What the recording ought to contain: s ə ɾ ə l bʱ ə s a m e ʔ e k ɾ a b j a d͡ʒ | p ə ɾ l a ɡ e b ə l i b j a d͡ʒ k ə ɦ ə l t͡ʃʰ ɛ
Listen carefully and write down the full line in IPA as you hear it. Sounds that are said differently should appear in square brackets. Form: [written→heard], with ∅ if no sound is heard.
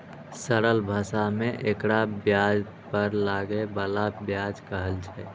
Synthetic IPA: s ə ɾ ə l bʱ ə s a m e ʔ e k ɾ a b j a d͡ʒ | p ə ɾ l a ɡ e b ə l [i→a] b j a d͡ʒ k ə ɦ ə l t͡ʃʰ ɛ